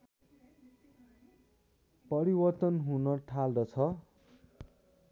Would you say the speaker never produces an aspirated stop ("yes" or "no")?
no